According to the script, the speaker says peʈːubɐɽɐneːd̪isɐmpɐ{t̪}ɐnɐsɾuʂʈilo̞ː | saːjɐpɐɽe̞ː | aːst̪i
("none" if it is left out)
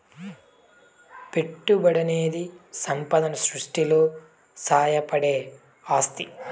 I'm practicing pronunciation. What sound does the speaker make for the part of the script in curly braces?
d̪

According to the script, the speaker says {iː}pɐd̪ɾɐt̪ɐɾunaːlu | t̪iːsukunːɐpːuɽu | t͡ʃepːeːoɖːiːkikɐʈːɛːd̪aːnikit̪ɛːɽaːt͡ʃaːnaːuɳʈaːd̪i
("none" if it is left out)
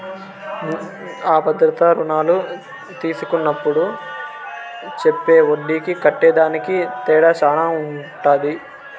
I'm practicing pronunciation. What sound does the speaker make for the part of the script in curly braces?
aː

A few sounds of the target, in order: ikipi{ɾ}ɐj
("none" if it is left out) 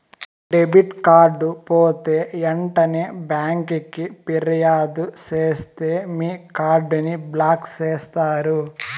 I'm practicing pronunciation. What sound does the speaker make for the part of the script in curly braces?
ɾ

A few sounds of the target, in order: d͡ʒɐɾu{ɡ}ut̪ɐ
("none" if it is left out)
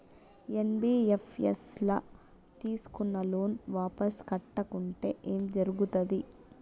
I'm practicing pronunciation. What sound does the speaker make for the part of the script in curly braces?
ɡ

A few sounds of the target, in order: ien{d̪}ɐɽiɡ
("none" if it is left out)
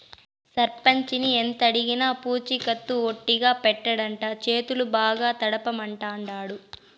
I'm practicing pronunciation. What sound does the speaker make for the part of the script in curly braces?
t̪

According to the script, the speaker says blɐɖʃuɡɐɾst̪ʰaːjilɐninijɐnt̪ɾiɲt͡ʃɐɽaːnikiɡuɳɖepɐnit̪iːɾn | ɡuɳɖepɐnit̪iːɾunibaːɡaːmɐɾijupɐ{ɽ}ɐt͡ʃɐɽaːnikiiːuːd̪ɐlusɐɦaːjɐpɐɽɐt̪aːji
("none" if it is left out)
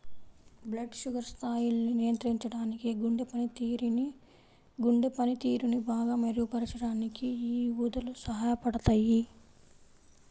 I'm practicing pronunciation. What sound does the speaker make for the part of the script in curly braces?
ɾ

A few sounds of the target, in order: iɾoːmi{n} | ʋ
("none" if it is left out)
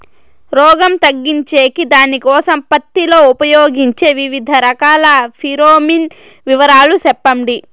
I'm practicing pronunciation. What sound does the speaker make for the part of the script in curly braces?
n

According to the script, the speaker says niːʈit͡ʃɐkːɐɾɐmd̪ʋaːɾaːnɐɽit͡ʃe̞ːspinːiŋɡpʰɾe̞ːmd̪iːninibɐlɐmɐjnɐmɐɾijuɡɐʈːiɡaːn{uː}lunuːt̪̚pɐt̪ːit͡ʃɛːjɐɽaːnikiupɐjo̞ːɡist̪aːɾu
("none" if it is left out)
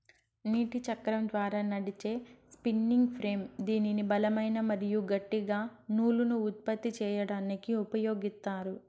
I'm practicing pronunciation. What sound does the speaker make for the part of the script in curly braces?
uː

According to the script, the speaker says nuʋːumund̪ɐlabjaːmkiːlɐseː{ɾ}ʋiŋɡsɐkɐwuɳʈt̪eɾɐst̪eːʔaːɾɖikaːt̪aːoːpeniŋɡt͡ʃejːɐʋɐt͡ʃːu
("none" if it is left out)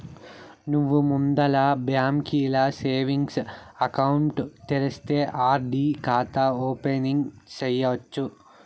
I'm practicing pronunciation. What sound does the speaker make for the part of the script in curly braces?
none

